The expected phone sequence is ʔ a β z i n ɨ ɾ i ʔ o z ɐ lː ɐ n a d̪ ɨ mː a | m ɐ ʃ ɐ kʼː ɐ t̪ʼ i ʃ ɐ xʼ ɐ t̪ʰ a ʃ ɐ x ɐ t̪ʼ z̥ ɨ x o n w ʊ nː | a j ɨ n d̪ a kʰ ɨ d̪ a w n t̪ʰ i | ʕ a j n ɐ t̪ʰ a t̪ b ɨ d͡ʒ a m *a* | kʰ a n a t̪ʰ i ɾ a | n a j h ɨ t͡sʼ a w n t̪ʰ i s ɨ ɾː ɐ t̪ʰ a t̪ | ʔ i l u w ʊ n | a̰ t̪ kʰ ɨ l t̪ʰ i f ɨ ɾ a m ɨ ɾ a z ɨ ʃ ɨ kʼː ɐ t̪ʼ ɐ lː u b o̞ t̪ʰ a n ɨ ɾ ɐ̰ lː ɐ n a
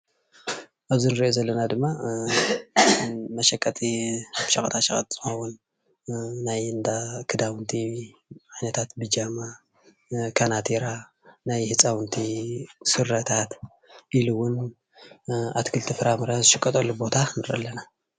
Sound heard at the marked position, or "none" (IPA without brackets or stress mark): a